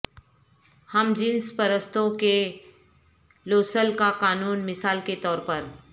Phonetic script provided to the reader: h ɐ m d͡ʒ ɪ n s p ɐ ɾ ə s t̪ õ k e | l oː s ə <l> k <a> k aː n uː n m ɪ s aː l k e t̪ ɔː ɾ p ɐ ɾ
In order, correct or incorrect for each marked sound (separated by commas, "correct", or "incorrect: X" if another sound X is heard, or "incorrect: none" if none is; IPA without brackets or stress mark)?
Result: correct, correct